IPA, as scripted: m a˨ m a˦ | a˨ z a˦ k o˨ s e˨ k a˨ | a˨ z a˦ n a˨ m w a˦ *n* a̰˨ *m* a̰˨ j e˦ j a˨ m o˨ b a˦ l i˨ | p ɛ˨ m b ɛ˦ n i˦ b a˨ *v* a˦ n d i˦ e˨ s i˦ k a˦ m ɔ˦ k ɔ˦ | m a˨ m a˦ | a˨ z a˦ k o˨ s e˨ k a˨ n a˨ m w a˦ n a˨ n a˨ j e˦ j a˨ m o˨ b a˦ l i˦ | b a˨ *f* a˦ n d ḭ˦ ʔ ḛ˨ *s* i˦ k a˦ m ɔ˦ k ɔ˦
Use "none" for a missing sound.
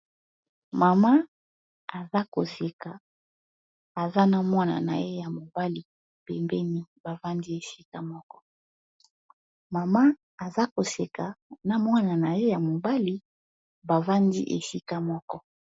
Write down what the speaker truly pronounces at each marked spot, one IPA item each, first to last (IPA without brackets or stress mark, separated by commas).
n, n, v, v, s